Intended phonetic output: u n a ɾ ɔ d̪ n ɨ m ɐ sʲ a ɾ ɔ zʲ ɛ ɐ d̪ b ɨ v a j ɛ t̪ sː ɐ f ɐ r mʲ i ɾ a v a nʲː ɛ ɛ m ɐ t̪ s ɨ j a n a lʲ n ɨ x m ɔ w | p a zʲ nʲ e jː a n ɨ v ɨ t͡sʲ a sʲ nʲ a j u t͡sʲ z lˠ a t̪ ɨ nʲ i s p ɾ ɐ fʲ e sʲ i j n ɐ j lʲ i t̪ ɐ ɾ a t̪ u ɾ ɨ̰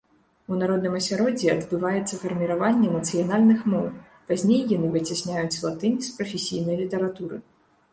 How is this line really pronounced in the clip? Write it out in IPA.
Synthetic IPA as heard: u n a ɾ ɔ d̪ n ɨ m ɐ sʲ a ɾ ɔ d͡zʲ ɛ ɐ d̪ b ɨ v a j ɛ t̪ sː ɐ f ɐ r mʲ i ɾ a v a nʲː ɛ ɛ m ɐ t̪ s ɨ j a n a lʲ n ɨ x m ɔ w | p a zʲ nʲ e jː a n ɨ v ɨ t͡sʲ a sʲ nʲ a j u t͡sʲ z lˠ a t̪ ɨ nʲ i s p ɾ ɐ fʲ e sʲ i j n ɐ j lʲ i t̪ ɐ ɾ a t̪ u ɾ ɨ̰